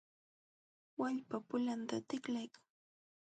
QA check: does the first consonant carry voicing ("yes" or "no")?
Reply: yes